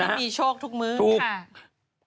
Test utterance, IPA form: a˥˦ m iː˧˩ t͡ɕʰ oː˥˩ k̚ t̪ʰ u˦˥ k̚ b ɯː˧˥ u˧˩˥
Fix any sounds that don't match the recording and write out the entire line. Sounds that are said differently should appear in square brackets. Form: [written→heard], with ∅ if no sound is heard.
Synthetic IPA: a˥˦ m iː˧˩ t͡ɕʰ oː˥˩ k̚ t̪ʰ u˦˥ k̚ [b→m] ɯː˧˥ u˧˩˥